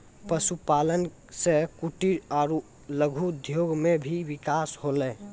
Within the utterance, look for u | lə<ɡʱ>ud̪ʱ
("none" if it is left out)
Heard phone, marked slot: ɡʱ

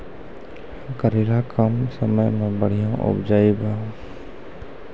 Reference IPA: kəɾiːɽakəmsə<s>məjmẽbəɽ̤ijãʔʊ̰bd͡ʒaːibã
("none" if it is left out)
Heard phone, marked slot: none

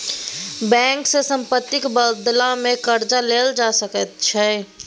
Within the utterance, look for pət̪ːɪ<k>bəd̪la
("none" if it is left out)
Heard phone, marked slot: k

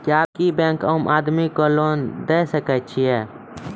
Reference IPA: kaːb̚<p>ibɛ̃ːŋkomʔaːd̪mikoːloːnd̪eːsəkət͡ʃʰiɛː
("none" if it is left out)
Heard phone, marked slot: k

